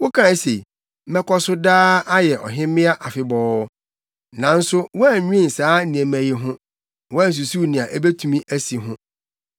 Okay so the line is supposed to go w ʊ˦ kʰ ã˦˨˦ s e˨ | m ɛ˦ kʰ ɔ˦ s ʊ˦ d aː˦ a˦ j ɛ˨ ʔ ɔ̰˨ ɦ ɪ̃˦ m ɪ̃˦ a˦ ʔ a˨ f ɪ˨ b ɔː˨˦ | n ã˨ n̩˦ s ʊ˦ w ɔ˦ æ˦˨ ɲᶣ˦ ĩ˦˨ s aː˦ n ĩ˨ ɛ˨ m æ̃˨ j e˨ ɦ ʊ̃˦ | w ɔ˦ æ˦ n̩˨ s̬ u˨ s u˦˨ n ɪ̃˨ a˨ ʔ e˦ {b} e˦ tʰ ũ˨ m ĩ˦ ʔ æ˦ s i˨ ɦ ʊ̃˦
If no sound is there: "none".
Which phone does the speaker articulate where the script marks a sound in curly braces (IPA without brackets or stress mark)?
b